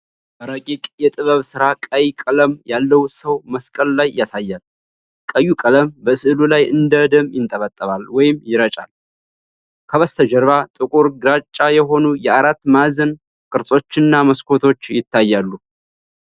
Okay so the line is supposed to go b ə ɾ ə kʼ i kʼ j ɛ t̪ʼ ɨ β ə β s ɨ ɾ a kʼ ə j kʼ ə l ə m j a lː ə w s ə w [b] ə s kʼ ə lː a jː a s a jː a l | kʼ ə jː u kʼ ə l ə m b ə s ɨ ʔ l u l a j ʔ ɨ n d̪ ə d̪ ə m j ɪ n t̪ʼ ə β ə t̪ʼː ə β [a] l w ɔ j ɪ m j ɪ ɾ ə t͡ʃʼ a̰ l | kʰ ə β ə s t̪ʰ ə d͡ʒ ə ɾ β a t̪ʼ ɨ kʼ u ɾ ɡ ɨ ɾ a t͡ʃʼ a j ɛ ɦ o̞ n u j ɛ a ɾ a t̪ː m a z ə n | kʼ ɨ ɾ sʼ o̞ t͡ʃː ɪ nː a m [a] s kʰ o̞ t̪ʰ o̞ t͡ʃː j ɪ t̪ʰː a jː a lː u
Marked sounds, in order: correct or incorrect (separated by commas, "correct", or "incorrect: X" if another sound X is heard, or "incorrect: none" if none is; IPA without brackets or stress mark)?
incorrect: m, correct, incorrect: ə